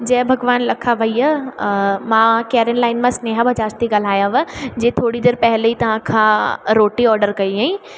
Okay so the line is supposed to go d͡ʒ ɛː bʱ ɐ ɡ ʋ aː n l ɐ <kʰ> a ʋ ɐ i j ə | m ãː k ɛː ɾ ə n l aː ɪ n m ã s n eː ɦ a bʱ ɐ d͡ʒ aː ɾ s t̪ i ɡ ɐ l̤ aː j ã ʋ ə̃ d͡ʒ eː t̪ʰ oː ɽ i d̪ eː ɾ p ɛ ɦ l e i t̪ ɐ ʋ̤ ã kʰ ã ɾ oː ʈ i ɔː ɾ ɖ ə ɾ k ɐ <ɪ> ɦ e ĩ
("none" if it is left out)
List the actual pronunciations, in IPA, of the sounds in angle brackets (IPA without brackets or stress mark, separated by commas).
kʰ, i